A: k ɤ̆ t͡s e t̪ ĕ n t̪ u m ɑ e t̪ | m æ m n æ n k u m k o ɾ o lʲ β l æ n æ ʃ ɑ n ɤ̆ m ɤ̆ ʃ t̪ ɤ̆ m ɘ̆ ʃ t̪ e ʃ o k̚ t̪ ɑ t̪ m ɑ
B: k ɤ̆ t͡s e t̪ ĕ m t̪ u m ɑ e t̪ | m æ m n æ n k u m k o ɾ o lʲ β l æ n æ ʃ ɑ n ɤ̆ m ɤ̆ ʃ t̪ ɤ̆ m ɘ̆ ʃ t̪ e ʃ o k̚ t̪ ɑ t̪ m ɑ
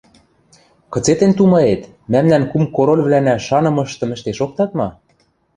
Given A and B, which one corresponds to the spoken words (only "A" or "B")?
A